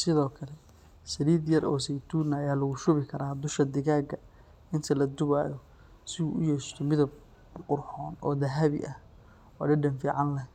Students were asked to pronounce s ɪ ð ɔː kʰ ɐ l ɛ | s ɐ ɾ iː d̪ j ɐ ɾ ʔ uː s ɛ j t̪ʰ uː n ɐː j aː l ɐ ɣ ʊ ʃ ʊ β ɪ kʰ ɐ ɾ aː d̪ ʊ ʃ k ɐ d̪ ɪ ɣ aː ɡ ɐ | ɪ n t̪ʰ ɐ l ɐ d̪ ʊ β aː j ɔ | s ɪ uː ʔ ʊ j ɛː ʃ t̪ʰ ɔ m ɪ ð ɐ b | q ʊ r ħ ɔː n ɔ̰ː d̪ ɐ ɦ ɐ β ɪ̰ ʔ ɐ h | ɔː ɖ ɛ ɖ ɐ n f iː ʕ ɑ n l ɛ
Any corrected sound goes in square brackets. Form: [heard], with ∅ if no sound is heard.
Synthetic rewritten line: s ɪ ð ɔː kʰ ɐ l ɛ | s ɐ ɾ iː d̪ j ɐ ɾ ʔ [ɔː] s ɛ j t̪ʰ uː n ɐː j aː l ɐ ɣ ʊ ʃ ʊ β ɪ kʰ ɐ ɾ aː d̪ ʊ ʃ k ɐ d̪ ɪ ɣ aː ɡ ɐ | ɪ n t̪ʰ ɐ l ɐ d̪ ʊ β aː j ɔ | s ɪ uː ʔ ʊ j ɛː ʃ t̪ʰ ɔ m ɪ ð ɐ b | q ʊ r ħ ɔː n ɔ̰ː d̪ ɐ ɦ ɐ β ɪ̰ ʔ ɐ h | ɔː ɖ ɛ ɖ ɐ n f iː ʕ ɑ n l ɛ

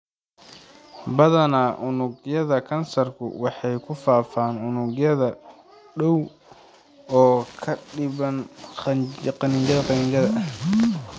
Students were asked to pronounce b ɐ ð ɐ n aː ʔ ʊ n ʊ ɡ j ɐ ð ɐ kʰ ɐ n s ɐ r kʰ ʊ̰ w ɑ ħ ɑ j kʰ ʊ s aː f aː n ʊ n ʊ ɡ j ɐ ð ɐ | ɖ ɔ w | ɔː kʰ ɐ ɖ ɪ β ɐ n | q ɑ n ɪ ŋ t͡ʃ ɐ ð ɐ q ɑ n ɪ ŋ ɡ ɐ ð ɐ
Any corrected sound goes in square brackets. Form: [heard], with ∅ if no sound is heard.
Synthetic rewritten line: b ɐ ð ɐ n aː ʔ ʊ n ʊ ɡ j ɐ ð ɐ kʰ ɐ n s ɐ r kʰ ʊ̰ w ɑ ħ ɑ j kʰ ʊ [f] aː f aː n ʊ n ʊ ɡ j ɐ ð ɐ | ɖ ɔ w | ɔː kʰ ɐ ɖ ɪ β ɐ n | q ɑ n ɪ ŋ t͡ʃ ɐ ð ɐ q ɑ n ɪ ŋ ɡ ɐ ð ɐ

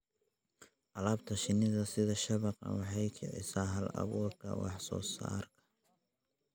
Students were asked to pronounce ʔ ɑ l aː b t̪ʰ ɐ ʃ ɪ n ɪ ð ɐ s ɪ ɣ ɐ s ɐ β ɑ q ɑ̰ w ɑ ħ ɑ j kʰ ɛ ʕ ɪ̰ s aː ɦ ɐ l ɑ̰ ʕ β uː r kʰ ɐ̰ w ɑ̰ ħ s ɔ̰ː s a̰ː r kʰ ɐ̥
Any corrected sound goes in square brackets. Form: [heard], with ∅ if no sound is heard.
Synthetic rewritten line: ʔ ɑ l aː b t̪ʰ ɐ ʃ ɪ n ɪ ð ɐ s ɪ [ð] ɐ [ʃ] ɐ β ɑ q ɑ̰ w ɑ ħ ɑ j kʰ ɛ ʕ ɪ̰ s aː ɦ ɐ l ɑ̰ [∅] β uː r kʰ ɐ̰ w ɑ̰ ħ s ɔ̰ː s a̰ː r kʰ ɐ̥

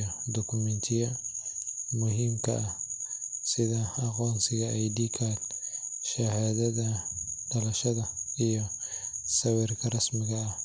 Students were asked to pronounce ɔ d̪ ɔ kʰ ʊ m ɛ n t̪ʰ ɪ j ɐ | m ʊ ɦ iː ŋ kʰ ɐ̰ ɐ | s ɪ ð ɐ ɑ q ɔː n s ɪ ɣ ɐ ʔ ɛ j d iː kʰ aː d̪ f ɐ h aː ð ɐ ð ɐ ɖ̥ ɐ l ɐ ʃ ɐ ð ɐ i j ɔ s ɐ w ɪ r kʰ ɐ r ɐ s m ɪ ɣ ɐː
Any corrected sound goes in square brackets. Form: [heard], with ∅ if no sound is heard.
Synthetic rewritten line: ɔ d̪ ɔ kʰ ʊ m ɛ n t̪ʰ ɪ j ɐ | m ʊ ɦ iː [m] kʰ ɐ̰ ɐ | s ɪ ð ɐ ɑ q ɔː n s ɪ ɣ ɐ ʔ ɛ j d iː kʰ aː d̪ [ʃ] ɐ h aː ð ɐ ð ɐ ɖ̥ ɐ l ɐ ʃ ɐ ð ɐ i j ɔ s ɐ w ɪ r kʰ ɐ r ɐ s m ɪ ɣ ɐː

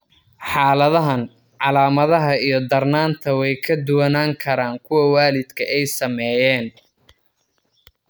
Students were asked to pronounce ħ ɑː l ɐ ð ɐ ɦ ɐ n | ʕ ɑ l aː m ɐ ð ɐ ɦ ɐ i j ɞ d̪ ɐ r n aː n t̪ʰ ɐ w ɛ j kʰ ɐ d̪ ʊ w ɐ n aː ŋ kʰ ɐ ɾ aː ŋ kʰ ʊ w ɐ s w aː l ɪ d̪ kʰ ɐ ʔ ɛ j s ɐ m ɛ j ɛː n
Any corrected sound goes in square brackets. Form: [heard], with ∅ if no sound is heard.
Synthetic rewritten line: ħ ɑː l ɐ ð ɐ ɦ ɐ n | ʕ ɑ l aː m ɐ ð ɐ ɦ ɐ i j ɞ d̪ ɐ r n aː n t̪ʰ ɐ w ɛ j kʰ ɐ d̪ ʊ w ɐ n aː ŋ kʰ ɐ ɾ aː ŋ kʰ ʊ w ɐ [∅] w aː l ɪ d̪ kʰ ɐ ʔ ɛ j s ɐ m ɛ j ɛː n

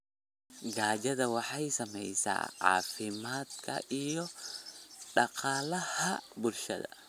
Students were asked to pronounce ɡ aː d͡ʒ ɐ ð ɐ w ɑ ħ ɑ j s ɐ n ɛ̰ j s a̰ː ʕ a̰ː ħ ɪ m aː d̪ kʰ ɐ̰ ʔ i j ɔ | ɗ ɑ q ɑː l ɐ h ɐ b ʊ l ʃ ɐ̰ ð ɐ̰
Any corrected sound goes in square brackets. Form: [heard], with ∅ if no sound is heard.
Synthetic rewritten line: ɡ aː d͡ʒ ɐ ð ɐ w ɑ ħ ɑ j s ɐ [m] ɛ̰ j s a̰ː ʕ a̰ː [f] ɪ m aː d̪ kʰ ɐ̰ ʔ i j ɔ | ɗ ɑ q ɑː l ɐ h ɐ b ʊ l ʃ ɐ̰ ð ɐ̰

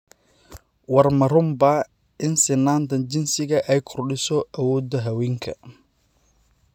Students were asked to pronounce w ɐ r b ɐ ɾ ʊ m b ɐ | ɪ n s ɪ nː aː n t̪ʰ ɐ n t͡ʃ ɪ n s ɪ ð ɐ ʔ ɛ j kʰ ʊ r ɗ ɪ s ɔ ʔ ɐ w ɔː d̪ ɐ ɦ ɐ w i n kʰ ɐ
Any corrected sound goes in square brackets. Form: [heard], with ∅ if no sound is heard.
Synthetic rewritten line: w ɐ r [m] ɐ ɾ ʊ m b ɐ | ɪ n s ɪ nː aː n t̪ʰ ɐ n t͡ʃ ɪ n s ɪ [ɣ] ɐ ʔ ɛ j kʰ ʊ r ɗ ɪ s ɔ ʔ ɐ w ɔː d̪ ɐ ɦ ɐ w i [ŋ] kʰ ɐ

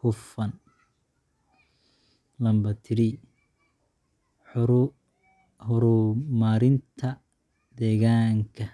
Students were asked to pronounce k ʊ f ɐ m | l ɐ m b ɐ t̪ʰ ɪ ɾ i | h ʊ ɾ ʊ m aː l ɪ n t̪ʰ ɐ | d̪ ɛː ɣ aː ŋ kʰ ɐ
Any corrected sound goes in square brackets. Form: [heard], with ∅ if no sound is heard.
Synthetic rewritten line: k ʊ f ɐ [n] | l ɐ m b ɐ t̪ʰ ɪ ɾ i | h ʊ ɾ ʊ m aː [ɾ] ɪ n t̪ʰ ɐ | d̪ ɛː ɣ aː ŋ kʰ ɐ

